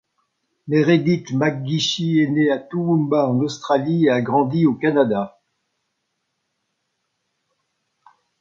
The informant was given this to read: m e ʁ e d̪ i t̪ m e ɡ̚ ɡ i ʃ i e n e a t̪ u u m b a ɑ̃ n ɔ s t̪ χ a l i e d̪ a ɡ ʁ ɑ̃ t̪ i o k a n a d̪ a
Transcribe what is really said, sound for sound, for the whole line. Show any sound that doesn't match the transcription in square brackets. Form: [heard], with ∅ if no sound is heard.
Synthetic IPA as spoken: m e ʁ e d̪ i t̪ m [a] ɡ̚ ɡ i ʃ i e n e a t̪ u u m b a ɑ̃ n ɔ s t̪ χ a l i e [∅] a ɡ ʁ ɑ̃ [d̪] i o k a n a d̪ a